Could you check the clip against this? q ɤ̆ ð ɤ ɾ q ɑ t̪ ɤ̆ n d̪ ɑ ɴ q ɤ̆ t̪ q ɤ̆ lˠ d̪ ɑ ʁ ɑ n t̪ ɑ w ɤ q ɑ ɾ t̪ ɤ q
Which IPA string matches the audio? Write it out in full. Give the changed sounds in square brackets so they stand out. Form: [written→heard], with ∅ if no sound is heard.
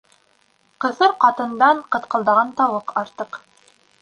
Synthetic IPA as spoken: q ɤ̆ [ð→θ] ɤ ɾ q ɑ t̪ ɤ̆ n d̪ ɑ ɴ q ɤ̆ t̪ q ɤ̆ lˠ d̪ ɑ ʁ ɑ n t̪ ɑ w ɤ q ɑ ɾ t̪ ɤ q